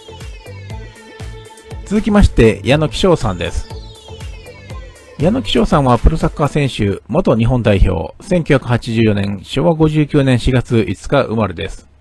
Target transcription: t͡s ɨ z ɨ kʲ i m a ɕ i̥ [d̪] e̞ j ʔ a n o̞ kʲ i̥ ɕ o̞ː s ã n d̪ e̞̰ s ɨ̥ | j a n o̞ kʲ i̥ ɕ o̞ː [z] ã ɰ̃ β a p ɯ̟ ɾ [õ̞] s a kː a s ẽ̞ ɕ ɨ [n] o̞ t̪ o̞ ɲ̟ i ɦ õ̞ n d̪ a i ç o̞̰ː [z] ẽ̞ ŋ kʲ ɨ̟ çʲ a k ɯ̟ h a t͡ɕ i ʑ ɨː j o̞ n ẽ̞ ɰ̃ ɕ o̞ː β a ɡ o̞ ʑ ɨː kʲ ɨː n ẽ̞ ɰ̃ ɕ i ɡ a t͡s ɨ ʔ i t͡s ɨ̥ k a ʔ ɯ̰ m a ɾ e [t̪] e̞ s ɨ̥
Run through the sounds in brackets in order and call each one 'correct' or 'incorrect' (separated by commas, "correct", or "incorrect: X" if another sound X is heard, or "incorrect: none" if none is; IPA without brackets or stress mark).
incorrect: t̪, incorrect: s, incorrect: o̞, incorrect: m, incorrect: s, incorrect: d̪